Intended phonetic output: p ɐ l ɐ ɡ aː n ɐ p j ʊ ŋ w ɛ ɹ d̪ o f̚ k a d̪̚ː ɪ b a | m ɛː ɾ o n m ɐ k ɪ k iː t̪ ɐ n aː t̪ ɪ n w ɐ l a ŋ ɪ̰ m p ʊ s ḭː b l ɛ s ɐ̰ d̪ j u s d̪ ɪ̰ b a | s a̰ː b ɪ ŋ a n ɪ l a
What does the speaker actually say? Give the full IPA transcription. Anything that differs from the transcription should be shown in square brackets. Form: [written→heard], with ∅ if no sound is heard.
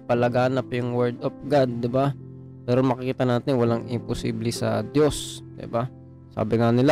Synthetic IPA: p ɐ l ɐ ɡ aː n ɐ p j ʊ ŋ w ɛ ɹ d̪ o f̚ [k→ɡ] a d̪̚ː ɪ b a | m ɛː ɾ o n m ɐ k ɪ k iː t̪ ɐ n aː t̪ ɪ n w ɐ l a ŋ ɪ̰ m p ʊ s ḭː b l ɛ s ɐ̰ d̪ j [u→o] s d̪ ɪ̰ b a | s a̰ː b ɪ ŋ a n ɪ l a